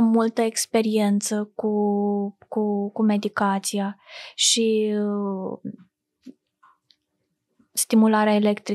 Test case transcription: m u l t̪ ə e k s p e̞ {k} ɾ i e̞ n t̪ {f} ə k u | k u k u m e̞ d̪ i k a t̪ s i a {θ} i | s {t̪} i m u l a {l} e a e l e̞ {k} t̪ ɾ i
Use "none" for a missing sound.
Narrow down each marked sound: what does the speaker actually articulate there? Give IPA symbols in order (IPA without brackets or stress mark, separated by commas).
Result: none, s, ʃ, t̪, ɾ, k